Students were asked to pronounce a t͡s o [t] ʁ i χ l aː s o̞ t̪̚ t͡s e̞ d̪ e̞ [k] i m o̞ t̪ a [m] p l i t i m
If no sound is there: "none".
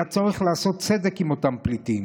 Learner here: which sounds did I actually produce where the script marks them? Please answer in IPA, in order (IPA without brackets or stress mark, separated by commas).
none, k, m